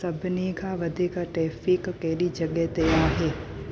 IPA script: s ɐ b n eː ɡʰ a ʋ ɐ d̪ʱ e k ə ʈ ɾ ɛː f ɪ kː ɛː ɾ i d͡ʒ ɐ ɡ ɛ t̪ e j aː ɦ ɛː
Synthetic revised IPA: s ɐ b n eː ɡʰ a ʋ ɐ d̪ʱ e k a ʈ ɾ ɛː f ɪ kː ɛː ɾ i d͡ʒ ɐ ɡ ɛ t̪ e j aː ɦ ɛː